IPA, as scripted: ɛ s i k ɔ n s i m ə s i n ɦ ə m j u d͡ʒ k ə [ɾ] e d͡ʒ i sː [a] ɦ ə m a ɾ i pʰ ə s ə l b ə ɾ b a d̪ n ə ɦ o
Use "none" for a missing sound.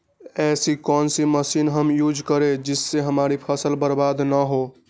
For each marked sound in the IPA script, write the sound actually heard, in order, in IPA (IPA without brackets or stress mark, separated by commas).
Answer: ɾ, e